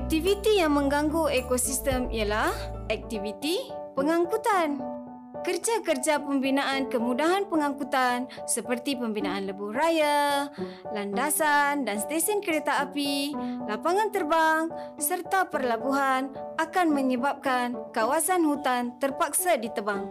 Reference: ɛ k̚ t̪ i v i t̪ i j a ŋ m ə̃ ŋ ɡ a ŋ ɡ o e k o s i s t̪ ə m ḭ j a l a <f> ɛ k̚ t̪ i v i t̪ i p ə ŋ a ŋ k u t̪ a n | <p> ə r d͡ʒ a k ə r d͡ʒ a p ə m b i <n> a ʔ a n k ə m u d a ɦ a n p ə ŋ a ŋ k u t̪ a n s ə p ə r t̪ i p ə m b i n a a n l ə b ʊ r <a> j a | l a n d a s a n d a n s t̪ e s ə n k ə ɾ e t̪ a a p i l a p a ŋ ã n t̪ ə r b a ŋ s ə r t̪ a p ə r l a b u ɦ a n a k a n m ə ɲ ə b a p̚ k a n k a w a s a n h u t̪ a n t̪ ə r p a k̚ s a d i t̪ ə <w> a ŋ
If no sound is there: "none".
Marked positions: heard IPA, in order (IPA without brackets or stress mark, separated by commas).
h, k, n, a, b